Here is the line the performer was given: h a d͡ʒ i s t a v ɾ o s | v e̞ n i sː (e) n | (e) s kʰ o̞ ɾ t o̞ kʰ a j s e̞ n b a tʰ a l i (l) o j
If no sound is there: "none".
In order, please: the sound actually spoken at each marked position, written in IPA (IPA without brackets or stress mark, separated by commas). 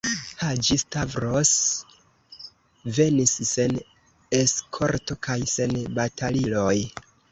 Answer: e, e, l